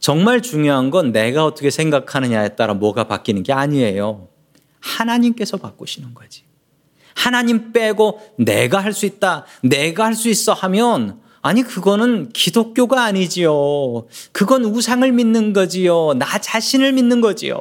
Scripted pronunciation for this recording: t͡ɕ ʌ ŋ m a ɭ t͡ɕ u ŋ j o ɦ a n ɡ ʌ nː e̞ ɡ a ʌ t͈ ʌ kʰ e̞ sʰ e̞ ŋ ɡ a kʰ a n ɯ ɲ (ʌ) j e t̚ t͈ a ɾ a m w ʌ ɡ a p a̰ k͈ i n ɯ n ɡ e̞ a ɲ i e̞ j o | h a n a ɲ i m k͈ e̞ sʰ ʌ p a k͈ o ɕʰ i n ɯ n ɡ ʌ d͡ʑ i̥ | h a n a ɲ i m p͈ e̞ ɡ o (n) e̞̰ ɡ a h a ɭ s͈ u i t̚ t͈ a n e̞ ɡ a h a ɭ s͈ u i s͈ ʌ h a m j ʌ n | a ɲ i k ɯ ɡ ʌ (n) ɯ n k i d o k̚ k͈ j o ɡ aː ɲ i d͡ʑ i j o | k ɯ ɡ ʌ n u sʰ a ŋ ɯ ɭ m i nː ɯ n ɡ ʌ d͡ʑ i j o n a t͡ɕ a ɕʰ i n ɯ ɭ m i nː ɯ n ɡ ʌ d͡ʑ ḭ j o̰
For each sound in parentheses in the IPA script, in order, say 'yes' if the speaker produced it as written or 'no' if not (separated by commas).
no, yes, yes